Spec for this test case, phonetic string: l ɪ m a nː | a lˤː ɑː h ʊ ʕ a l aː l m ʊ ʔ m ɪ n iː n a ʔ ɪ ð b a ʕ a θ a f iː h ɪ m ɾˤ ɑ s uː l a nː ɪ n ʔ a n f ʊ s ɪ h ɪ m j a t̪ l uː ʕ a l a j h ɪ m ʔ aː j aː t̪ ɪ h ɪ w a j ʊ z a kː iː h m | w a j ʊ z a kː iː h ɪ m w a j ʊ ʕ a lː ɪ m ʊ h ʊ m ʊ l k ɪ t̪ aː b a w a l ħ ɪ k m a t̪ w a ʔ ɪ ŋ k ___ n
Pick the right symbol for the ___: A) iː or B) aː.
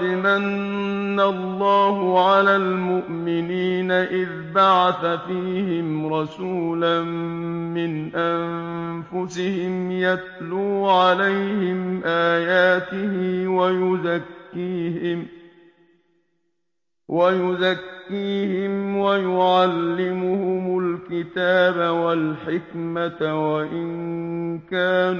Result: B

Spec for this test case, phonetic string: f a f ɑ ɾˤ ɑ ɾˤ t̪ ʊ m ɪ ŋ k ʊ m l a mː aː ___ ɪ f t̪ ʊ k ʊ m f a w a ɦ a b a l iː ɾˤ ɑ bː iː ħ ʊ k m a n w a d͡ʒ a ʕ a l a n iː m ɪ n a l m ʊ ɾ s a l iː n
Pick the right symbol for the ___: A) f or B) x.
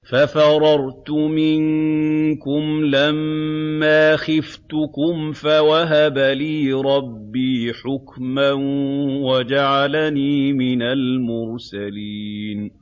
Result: B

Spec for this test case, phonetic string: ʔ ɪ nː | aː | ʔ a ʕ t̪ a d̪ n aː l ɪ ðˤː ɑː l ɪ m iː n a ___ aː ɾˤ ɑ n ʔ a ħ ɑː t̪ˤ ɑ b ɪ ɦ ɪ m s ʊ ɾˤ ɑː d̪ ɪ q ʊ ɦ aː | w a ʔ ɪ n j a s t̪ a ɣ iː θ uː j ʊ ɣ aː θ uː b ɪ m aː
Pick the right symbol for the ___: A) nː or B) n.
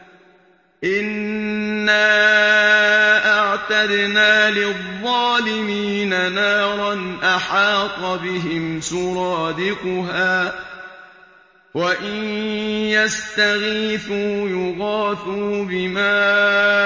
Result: B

